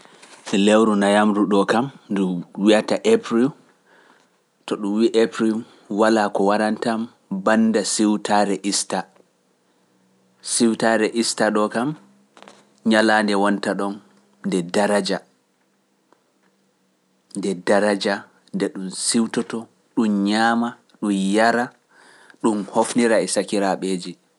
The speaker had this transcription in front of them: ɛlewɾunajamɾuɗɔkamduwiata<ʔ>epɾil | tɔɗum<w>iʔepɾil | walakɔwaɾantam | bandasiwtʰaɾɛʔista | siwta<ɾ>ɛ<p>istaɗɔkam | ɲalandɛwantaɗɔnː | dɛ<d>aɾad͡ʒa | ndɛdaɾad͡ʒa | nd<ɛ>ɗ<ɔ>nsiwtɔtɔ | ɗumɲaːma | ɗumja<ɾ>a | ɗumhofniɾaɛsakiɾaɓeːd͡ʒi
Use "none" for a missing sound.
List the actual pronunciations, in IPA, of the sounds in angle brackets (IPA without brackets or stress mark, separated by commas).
ʔ, w, ɾ, ʔ, d, ɛ, u, ɾ